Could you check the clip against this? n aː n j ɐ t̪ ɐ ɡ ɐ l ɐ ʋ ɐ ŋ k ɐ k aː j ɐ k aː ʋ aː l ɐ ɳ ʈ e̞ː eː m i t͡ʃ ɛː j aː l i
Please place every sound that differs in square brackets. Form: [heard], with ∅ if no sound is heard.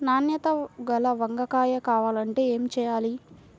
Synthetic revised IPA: n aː n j ɐ t̪ ɐ ɡ ɐ l ɐ ʋ ɐ ŋ [ɡ] ɐ k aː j ɐ k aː ʋ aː l ɐ ɳ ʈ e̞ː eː m i t͡ʃ ɛː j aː l i